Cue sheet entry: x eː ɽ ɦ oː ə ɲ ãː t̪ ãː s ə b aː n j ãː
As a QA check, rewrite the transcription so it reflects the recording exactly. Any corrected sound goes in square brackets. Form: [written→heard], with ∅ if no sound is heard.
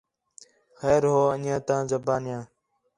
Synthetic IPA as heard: x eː [ɽ→ɾ] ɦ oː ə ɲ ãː t̪ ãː [s→z] ə b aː n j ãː